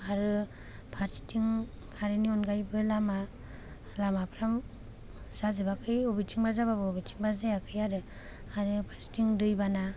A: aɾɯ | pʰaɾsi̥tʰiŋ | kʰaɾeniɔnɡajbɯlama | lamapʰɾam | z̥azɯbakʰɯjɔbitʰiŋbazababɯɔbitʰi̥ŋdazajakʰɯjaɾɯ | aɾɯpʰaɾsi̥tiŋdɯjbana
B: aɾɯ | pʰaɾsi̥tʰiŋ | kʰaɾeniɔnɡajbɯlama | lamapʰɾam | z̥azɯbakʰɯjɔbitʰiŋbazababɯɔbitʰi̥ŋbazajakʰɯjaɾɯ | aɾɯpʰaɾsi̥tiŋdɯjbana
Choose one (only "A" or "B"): B